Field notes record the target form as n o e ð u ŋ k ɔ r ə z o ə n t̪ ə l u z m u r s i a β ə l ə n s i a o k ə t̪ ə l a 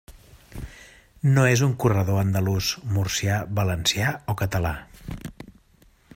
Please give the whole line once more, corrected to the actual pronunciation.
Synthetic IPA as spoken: n o e z u ŋ k u r ə ð o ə n d̪ ə l u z m u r s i a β ə l ə n s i a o k ə t̪ ə l a